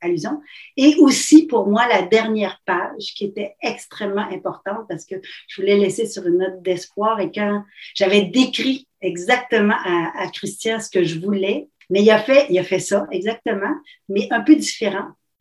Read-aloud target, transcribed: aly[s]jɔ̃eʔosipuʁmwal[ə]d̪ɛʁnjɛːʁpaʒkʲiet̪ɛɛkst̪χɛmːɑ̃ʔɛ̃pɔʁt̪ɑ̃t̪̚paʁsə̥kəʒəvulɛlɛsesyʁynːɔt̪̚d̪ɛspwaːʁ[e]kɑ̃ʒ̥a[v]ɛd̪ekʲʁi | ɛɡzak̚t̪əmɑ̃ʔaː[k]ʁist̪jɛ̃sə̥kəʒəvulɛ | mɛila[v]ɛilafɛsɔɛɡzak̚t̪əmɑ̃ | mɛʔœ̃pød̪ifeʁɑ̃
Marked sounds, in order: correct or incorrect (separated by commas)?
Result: incorrect, incorrect, correct, correct, correct, incorrect